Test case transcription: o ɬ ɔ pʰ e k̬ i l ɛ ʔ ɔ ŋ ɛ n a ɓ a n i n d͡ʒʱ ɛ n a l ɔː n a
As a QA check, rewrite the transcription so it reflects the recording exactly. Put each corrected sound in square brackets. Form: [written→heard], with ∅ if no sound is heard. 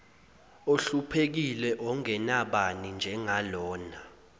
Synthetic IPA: o ɬ [ɔ→u] pʰ e k̬ i l ɛ ʔ ɔ ŋ ɛ n a ɓ a n i n d͡ʒʱ ɛ [n→ŋ] a l ɔː n a